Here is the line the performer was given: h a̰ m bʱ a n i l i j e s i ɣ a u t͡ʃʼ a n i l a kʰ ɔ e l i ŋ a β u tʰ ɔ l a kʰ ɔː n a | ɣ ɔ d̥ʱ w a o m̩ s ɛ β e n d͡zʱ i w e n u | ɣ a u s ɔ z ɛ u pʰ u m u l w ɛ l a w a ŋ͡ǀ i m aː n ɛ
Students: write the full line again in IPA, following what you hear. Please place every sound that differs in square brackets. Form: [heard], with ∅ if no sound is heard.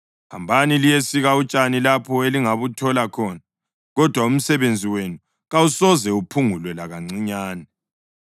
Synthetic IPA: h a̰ m bʱ a n i l i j e s i ɣ a u t͡ʃʼ a n i l a [pʰ] ɔ e l i ŋ a β u tʰ ɔ l a kʰ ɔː n a | ɣ ɔ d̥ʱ w a [u] m̩ s ɛ β e n d͡zʱ i w e n u | ɣ a u s ɔ z ɛ u pʰ u [ŋ] u l w ɛ l a [ɣ] a ŋ͡ǀ i [ɲ] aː n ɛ